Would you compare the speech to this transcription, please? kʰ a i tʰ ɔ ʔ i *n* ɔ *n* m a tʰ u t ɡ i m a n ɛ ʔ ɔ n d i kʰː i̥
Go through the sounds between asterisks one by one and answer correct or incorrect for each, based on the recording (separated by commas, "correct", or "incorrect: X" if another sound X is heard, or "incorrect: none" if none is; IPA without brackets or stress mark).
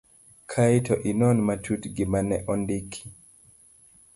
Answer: correct, correct